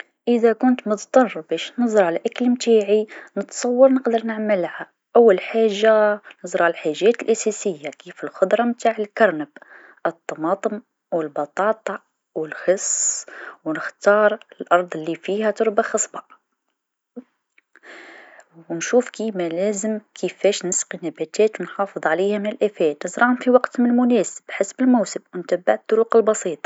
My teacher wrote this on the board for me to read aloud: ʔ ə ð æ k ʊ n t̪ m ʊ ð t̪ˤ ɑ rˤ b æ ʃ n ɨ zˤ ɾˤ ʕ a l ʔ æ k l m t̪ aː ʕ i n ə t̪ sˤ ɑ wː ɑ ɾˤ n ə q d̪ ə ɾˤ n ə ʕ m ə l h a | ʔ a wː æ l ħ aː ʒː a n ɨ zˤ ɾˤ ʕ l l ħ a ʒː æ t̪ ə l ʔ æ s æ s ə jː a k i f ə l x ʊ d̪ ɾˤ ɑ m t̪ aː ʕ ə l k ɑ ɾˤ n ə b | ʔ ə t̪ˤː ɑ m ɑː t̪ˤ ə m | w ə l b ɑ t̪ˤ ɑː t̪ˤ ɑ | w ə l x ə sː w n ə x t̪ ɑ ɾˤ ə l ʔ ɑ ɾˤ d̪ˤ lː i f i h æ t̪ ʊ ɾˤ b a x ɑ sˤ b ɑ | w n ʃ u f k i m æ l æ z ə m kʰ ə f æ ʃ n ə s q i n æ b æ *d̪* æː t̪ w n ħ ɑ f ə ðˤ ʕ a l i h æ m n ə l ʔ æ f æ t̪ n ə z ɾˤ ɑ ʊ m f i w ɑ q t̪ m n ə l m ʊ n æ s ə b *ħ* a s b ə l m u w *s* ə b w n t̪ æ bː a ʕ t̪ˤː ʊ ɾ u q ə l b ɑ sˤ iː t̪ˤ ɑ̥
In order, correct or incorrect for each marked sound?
incorrect, correct, correct

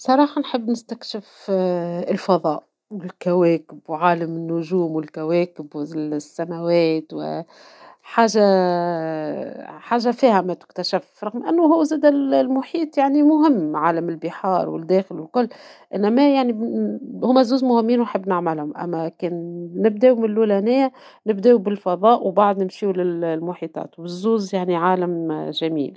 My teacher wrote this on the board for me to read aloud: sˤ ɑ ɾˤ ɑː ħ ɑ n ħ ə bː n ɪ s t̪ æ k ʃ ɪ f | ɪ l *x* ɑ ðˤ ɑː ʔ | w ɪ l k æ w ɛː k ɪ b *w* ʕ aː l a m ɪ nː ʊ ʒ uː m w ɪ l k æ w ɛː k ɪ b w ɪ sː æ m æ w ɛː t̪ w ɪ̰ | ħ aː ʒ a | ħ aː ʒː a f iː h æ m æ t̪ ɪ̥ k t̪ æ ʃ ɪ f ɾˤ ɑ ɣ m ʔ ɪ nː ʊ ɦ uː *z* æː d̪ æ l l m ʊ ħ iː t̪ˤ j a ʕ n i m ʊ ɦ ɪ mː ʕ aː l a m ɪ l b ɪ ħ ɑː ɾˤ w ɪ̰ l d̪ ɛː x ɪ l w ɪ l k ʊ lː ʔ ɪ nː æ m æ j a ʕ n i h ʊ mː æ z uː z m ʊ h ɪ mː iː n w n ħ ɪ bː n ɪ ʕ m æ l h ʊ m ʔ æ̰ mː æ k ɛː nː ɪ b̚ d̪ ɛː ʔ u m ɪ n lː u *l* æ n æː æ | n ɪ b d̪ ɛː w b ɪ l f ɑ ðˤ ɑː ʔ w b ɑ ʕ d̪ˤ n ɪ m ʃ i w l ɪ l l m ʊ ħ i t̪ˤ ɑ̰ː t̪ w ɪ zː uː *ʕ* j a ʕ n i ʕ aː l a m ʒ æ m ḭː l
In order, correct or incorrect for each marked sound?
incorrect, correct, correct, correct, incorrect

